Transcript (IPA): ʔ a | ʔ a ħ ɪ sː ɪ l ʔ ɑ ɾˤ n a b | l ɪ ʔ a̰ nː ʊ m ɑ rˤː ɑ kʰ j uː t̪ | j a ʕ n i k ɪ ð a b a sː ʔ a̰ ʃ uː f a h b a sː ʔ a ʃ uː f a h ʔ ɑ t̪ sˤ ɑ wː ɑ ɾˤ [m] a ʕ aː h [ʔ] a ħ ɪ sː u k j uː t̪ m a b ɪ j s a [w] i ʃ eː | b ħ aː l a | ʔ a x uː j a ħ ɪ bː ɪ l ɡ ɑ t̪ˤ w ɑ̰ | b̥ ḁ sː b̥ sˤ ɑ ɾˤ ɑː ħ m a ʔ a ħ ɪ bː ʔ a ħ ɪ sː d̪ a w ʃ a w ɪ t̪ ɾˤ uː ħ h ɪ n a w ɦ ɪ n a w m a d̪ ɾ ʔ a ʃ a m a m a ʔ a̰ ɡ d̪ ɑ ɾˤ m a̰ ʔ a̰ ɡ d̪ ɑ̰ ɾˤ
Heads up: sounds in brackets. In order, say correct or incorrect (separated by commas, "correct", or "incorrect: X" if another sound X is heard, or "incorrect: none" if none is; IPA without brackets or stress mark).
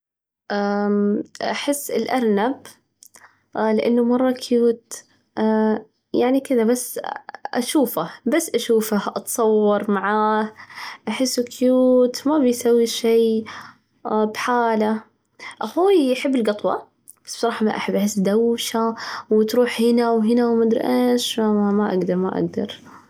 correct, correct, incorrect: wː